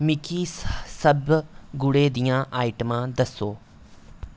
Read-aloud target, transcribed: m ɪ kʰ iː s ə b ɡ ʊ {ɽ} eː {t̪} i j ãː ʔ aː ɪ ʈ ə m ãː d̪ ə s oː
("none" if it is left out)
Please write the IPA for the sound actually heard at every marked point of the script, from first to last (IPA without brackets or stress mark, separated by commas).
ɽ, d̪